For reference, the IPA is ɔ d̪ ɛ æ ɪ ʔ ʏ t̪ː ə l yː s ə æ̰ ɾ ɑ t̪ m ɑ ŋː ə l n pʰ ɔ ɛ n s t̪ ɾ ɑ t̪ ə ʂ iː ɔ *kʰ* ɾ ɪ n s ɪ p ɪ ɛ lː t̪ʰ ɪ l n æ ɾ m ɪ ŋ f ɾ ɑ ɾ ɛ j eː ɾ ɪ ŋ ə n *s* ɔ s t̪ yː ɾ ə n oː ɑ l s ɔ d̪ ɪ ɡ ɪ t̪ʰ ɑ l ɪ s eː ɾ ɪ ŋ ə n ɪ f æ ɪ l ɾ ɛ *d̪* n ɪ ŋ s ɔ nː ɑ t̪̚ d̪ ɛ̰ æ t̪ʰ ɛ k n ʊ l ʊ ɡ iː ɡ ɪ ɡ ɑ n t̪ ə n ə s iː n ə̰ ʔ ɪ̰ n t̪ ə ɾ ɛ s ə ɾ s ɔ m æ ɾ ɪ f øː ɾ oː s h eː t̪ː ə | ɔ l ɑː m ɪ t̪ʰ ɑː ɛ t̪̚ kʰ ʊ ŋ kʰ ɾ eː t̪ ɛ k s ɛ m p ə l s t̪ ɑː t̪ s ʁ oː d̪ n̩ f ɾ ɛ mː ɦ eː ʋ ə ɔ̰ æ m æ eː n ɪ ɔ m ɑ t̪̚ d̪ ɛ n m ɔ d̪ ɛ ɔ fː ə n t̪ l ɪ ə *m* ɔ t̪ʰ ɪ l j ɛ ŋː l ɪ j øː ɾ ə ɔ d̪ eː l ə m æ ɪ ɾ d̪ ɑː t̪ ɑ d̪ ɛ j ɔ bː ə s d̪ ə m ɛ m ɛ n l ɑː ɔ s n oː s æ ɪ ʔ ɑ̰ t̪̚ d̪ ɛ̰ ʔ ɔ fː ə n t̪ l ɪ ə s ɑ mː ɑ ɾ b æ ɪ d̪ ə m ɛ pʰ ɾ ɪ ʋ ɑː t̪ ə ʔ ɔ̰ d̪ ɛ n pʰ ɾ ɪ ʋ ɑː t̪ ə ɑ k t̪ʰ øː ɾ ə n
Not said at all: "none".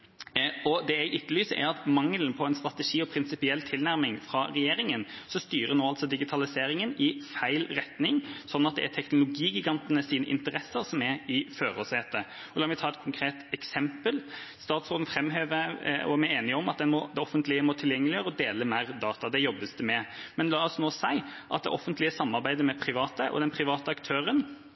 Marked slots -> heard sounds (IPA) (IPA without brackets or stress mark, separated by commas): pʰ, s, t̪, m